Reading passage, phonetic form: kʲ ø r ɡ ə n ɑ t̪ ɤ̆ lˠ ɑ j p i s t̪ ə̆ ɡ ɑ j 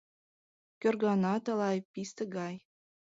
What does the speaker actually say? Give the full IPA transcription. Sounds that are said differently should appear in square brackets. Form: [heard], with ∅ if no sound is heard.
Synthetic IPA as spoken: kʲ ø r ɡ [ɑ] n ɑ t̪ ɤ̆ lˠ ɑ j p i s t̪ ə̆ ɡ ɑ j